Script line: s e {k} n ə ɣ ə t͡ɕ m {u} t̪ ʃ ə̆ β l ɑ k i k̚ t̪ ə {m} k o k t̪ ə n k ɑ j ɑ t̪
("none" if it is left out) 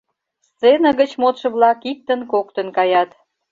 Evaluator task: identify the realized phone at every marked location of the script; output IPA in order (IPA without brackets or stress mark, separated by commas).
none, o, n